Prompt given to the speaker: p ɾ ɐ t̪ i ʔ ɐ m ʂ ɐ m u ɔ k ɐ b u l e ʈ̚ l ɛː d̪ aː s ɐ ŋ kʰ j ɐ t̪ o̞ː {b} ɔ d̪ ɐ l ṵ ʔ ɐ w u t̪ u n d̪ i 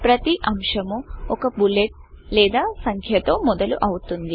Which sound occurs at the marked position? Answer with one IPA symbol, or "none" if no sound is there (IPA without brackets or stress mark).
m